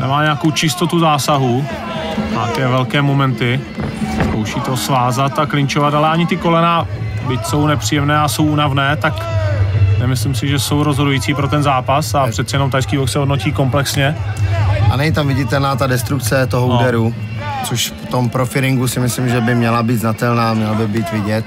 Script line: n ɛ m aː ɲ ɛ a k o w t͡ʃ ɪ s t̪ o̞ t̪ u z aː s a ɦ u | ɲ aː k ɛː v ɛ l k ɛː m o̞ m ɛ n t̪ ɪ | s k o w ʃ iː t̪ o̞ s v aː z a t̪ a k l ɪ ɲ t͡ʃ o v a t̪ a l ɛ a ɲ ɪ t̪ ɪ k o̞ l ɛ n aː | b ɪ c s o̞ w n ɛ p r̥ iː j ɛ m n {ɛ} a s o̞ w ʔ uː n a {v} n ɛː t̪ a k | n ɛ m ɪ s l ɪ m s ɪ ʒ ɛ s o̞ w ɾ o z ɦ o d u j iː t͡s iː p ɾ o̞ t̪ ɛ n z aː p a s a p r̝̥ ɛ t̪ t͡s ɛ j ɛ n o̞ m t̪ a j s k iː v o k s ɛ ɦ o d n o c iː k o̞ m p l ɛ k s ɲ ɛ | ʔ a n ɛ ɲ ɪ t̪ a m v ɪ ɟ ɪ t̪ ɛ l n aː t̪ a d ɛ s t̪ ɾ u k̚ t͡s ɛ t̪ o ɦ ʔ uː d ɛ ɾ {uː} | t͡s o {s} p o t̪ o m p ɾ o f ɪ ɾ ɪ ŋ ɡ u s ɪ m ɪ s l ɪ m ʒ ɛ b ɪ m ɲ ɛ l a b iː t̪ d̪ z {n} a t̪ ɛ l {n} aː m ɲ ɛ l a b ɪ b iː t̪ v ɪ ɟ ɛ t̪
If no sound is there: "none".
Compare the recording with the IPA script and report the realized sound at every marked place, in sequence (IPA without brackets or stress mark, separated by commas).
ɛː, v, u, ʃ, n, n